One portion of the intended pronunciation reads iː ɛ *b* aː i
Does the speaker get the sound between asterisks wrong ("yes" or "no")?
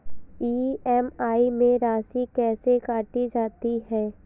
yes